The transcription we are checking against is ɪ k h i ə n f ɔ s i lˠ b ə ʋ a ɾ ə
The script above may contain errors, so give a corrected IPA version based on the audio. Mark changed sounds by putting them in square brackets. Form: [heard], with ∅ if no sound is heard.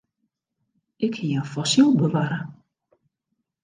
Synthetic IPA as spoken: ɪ k h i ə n f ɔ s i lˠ b ə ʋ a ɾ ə